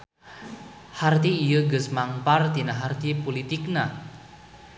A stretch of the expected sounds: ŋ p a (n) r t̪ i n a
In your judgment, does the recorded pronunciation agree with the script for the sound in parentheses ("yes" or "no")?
no